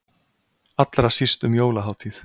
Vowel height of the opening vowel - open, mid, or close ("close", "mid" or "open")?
open